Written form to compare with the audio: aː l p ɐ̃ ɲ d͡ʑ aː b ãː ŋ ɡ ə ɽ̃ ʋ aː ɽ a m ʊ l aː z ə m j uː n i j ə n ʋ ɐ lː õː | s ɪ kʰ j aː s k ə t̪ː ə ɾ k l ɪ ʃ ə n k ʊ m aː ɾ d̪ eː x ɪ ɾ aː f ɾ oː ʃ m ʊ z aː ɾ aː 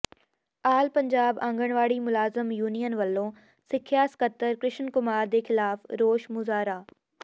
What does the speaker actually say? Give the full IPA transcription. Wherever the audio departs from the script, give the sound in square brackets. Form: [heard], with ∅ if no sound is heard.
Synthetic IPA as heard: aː l p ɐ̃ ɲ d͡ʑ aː b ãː ŋ ɡ ə ɽ̃ ʋ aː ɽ [i] m ʊ l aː z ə m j uː n i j ə n ʋ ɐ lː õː | s ɪ kʰ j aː s k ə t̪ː ə ɾ k [ɾ] ɪ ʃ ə n k ʊ m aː ɾ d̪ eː x ɪ [l] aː f ɾ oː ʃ m ʊ z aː ɾ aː